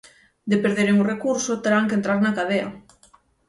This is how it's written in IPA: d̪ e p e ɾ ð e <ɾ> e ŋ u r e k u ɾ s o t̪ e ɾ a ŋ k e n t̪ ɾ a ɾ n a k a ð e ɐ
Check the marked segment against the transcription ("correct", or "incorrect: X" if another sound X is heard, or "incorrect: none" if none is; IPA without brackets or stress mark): correct